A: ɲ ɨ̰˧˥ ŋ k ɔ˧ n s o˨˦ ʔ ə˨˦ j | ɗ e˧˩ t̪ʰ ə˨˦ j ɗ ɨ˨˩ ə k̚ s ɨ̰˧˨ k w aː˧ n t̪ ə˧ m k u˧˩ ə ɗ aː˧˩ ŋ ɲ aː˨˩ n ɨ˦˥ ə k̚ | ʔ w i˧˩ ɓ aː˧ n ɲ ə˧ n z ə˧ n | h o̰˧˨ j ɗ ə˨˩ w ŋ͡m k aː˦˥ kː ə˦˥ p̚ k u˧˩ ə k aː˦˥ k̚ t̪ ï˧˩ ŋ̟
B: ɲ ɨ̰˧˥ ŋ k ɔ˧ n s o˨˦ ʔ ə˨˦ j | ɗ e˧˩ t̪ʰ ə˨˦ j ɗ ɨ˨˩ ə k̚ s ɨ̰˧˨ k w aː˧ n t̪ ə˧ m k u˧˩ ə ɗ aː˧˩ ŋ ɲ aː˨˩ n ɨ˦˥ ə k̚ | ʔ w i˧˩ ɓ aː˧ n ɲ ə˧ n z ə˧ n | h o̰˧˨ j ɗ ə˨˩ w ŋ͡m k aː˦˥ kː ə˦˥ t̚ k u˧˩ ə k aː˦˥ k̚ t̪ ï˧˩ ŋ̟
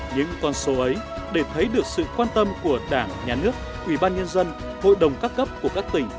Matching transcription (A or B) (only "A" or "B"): A